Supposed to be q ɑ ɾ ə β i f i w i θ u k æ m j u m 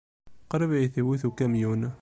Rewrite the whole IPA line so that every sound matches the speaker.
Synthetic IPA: q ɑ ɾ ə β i θ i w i θ u k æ m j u n